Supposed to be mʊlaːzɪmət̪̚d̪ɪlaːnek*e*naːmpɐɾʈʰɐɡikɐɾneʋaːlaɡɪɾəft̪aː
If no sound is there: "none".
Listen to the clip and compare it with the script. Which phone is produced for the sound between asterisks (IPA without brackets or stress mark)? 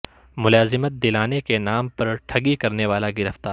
e